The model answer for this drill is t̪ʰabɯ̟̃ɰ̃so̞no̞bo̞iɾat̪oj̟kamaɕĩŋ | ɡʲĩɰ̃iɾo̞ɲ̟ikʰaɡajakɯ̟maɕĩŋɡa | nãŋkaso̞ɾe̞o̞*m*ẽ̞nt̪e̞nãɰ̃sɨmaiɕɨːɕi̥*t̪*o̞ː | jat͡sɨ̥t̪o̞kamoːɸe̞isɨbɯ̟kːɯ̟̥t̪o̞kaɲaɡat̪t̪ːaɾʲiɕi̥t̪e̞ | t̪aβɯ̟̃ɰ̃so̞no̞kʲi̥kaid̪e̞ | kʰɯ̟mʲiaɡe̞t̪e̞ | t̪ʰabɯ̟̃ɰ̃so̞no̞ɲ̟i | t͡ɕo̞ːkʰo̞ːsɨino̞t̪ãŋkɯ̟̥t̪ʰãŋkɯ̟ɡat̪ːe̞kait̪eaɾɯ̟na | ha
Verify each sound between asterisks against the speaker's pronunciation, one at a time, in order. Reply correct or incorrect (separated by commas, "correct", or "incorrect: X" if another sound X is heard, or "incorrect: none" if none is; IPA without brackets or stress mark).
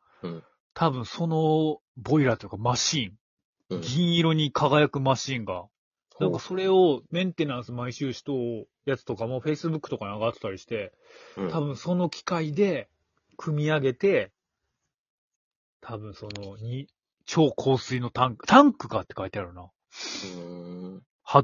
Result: correct, correct